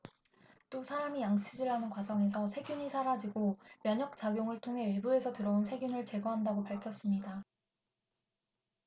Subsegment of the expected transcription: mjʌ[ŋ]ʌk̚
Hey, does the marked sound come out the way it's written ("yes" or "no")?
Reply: no